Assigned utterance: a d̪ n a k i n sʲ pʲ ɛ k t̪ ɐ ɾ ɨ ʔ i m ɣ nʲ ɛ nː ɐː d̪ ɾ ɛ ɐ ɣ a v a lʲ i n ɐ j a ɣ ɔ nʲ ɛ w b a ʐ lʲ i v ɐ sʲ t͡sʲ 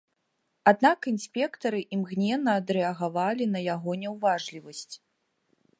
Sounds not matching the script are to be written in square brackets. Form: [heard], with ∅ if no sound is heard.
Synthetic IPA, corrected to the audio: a d̪ n a k i n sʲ pʲ ɛ k t̪ ɐ ɾ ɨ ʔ i m ɣ nʲ ɛ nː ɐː d̪ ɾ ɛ ɐ ɣ a v a lʲ i n ɐ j a ɣ ɔ nʲ ɛ w [v] a ʐ lʲ i v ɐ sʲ t͡sʲ